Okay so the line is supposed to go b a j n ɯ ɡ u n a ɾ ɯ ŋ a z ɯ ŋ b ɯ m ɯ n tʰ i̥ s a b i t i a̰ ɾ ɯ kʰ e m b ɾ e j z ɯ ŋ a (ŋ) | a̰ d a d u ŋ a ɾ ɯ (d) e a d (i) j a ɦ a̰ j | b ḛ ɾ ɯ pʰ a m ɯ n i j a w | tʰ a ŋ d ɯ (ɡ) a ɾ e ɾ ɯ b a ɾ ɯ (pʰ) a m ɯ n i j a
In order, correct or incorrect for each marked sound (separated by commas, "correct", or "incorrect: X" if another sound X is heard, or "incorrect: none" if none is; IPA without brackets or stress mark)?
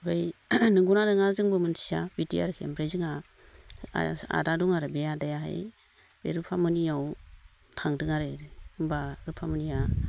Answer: incorrect: none, incorrect: b, incorrect: a, incorrect: ŋ, correct